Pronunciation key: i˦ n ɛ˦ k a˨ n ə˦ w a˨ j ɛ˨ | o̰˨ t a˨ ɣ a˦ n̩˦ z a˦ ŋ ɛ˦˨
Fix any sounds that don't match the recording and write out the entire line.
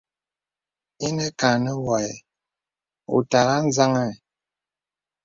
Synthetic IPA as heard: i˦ n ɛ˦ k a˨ n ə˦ w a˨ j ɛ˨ | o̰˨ t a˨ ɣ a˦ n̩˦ z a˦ ŋ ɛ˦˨